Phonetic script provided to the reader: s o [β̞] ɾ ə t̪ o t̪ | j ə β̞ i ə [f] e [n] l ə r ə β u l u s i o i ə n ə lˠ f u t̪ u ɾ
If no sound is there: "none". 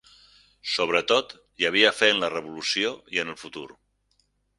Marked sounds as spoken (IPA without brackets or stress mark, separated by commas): β̞, f, n